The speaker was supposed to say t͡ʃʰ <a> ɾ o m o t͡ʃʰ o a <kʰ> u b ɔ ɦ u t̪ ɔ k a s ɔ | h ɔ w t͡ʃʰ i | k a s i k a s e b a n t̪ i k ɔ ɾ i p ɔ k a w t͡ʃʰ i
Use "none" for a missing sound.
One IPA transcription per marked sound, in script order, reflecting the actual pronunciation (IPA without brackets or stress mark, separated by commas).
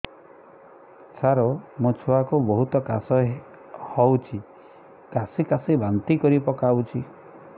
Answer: a, k